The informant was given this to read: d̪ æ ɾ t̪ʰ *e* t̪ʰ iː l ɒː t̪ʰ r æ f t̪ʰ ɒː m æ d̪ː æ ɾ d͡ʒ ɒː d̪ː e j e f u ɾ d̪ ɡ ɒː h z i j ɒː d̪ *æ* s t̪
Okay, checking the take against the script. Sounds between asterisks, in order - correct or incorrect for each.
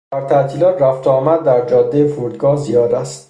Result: incorrect, correct

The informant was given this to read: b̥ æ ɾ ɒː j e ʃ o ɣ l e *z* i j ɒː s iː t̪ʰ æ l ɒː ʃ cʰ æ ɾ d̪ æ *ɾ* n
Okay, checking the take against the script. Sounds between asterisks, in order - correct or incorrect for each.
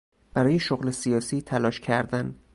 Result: incorrect, incorrect

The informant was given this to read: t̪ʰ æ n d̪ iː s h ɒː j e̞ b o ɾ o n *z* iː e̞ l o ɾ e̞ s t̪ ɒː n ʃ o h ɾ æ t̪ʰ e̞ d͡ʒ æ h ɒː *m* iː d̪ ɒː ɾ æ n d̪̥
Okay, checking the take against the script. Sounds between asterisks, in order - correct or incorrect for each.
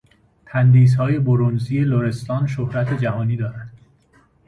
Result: correct, incorrect

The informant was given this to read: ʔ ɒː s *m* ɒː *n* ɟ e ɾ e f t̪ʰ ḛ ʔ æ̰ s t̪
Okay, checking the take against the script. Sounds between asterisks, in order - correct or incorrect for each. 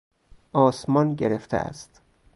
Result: correct, correct

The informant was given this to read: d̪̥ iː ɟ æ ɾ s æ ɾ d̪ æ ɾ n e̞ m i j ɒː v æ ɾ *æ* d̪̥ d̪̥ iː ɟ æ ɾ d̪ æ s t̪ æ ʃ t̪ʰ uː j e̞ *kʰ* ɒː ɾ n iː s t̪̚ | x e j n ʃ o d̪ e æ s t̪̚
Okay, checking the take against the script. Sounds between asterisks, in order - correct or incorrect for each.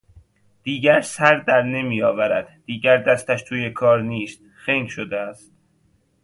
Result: correct, correct

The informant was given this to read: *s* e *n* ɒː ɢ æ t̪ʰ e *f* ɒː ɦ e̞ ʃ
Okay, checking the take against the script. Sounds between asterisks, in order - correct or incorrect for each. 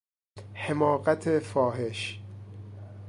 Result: incorrect, incorrect, correct

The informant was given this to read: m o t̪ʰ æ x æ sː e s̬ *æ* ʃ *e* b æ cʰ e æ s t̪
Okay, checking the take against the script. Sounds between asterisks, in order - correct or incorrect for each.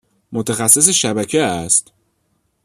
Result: incorrect, incorrect

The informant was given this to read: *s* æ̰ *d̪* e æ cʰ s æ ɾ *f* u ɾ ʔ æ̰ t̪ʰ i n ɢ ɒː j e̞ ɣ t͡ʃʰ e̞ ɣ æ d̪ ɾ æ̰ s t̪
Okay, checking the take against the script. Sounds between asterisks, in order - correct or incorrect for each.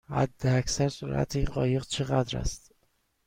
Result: incorrect, incorrect, incorrect

